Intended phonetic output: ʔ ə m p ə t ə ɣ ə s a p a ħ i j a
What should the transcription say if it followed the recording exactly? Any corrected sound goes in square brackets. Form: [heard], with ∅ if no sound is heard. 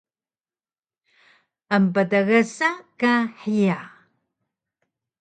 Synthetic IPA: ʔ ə m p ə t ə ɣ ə s a [k] a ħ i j a